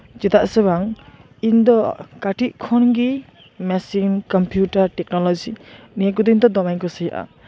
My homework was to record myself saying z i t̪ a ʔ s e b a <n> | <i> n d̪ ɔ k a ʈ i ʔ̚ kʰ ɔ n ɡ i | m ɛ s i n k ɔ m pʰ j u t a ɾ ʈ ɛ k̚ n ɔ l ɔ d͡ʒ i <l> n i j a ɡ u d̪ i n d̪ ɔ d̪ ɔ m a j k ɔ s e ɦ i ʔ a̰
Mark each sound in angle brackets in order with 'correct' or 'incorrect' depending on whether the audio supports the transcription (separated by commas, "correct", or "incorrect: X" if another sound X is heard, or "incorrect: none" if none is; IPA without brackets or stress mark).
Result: incorrect: ŋ, correct, incorrect: none